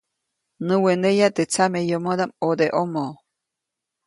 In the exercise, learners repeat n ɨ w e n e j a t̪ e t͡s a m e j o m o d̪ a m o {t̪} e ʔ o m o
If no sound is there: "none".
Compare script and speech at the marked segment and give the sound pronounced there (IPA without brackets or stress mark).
d̪